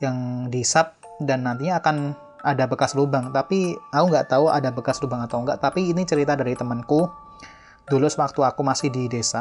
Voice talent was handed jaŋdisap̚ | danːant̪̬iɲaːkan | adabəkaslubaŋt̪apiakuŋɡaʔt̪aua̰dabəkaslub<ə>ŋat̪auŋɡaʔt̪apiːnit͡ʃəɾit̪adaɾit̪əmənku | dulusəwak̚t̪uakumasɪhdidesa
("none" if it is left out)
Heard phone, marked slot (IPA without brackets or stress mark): a